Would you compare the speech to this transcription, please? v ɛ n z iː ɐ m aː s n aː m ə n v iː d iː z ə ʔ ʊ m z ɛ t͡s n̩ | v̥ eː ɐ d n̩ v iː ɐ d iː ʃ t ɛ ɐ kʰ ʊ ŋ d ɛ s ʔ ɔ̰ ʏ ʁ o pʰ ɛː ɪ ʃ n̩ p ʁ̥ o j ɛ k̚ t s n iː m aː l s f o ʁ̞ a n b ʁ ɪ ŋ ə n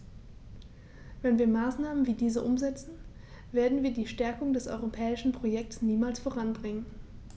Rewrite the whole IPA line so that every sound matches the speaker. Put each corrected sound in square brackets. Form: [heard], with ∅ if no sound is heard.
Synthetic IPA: v ɛ n [v] iː ɐ m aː s n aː m ə n v iː d iː z ə ʔ ʊ m z ɛ t͡s n̩ | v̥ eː ɐ d n̩ v iː ɐ d iː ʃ t ɛ ɐ [k] ʊ ŋ d ɛ s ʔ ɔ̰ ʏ ʁ o pʰ ɛː ɪ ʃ n̩ p ʁ̥ o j ɛ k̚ t s n iː m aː l s f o ʁ̞ a n b ʁ ɪ ŋ ə n